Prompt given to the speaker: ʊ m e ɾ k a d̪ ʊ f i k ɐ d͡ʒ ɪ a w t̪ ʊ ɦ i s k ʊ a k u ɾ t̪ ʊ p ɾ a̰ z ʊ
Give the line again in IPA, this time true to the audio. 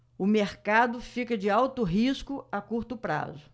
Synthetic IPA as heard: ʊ m e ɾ k a d̪ ʊ f i k ɐ d͡ʒ ɪ a w t̪ ʊ ɦ i s k ʊ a k u ɾ t̪ ʊ p ɾ a̰ z ʊ